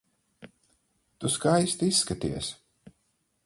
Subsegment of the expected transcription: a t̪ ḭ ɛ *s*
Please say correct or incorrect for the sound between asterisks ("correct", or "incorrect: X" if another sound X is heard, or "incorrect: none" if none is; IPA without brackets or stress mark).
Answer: correct